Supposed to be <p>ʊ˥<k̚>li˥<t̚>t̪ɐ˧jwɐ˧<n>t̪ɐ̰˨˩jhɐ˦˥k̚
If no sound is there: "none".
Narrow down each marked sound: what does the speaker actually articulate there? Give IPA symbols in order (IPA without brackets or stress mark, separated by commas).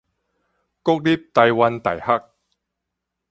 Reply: k, k̚, p̚, n